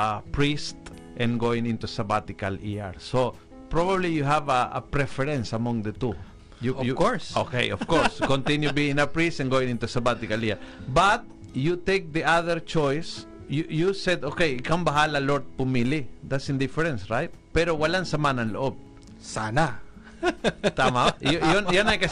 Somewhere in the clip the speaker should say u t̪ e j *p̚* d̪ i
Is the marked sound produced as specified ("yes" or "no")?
no